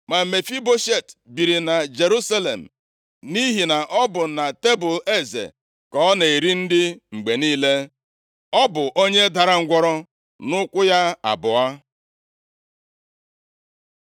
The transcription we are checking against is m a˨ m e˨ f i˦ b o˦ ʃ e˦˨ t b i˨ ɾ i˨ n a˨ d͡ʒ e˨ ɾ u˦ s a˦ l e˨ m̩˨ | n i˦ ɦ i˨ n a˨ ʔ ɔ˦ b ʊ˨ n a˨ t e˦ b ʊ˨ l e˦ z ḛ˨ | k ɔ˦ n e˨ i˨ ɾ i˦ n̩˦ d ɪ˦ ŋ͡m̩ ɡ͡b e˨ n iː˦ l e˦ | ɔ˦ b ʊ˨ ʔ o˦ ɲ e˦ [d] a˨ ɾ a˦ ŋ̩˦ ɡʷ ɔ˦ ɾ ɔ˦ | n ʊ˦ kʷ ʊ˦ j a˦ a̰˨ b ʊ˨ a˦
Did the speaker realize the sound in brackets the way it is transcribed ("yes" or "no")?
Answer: yes